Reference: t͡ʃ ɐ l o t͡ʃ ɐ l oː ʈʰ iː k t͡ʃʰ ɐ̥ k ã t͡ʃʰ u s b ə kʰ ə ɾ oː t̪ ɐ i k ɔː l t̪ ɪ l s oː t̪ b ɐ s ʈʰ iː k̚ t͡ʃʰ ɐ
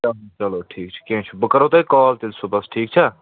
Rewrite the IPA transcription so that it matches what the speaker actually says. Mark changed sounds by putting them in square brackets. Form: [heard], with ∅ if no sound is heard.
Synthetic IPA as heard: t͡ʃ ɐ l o t͡ʃ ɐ l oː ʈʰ iː k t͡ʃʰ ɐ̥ k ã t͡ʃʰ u [∅] b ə [k] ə ɾ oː t̪ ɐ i k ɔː l t̪ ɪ l s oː [∅] b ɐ s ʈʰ iː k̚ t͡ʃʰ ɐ